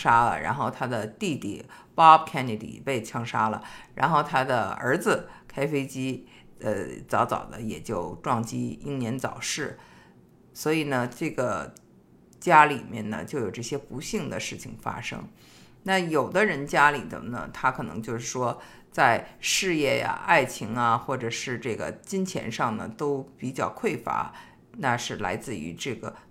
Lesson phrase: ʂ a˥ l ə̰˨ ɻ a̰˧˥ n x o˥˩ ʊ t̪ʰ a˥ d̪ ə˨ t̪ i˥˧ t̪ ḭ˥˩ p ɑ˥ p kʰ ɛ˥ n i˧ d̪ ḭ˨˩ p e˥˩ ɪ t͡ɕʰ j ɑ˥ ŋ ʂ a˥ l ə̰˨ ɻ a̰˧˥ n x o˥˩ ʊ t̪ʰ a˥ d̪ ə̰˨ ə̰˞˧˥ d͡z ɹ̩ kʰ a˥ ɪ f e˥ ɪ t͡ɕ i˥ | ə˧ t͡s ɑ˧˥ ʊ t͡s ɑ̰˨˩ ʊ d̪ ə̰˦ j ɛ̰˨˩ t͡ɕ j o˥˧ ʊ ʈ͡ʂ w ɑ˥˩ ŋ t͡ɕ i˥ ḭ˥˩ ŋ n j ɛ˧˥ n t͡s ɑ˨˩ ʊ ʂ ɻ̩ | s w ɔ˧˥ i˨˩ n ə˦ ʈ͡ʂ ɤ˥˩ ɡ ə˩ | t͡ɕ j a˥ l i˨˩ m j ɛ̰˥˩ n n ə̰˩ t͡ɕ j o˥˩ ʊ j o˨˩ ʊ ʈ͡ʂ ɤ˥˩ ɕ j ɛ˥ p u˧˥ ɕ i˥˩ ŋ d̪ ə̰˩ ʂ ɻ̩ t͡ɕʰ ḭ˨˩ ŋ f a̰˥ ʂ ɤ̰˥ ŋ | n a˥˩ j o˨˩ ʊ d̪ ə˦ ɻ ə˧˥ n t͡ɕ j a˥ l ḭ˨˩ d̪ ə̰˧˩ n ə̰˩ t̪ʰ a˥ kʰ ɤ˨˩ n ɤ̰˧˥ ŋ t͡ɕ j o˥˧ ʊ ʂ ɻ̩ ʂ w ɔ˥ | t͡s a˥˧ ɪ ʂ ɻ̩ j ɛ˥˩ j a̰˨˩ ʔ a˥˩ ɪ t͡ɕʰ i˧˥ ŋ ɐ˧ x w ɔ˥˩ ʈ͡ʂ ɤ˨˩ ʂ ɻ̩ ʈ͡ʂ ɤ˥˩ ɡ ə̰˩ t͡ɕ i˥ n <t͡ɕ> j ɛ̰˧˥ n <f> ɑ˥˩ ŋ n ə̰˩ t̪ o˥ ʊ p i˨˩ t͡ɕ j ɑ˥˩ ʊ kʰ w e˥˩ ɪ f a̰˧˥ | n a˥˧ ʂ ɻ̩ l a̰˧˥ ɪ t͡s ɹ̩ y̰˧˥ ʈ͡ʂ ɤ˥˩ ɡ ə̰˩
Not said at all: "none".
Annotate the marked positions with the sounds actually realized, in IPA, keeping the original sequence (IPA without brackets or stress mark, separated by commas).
t͡ɕʰ, ʂ